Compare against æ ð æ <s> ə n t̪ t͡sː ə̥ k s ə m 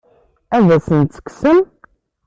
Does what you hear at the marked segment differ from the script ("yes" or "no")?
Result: no